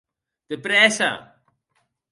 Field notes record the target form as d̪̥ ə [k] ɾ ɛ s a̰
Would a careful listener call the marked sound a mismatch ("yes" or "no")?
yes